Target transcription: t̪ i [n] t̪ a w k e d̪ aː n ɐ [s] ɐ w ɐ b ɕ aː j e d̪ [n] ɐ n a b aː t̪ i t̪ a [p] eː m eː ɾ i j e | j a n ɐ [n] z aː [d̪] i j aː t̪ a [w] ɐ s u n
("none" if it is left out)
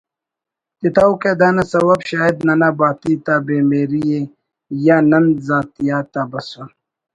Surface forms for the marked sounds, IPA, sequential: none, s, n, b, n, t̪, b

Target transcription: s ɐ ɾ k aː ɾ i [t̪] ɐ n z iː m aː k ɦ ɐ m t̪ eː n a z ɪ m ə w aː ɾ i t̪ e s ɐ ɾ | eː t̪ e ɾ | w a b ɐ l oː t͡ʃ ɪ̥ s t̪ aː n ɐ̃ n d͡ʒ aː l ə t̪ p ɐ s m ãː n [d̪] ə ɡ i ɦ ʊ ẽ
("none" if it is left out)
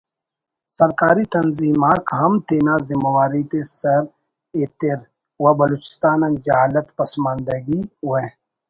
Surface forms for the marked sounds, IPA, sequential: t̪, d̪

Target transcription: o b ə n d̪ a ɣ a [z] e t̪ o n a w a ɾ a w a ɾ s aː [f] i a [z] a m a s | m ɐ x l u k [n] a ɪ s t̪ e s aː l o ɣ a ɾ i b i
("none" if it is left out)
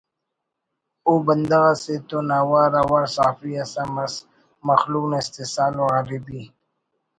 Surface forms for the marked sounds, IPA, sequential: s, f, s, n

